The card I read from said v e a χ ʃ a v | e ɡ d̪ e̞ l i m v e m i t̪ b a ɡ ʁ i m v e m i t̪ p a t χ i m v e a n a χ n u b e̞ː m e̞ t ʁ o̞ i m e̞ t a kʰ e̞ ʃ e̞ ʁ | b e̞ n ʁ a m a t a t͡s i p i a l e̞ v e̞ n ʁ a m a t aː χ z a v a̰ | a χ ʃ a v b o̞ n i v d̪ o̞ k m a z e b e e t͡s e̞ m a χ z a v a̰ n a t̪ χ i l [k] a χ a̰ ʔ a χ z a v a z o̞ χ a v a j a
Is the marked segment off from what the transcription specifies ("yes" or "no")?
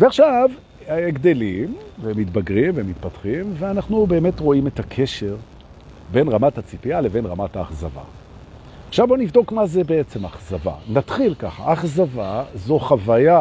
no